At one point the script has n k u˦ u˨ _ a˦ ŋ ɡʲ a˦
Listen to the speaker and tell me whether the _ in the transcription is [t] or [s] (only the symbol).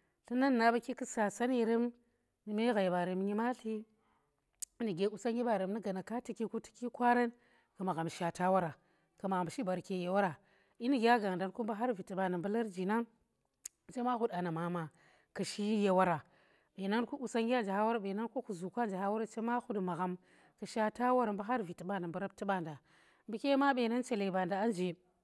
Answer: s